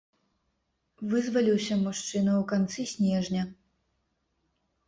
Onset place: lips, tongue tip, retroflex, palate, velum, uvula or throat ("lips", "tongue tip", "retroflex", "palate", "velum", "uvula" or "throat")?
lips